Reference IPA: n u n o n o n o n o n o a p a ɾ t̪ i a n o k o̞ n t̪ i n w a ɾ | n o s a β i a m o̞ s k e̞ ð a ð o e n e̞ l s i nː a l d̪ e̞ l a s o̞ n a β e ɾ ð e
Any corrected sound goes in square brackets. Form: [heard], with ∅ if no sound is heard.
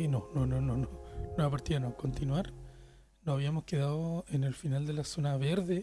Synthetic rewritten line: n [o] n o n o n o n o n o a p a ɾ t̪ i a n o k o̞ n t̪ i n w a ɾ | n o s a β i a m o̞ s k e̞ ð a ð o e n e̞ l [f] i [n] a l d̪ e̞ l a s o̞ n a β e ɾ ð e